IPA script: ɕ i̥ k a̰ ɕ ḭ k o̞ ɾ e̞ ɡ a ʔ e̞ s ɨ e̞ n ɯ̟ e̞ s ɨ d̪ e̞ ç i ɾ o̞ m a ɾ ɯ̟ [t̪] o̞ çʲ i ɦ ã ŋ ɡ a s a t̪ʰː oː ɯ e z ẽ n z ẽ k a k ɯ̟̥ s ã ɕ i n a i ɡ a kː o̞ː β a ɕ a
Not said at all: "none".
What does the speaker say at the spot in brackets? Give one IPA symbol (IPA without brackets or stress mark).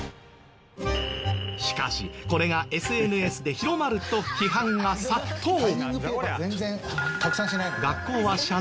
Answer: t̪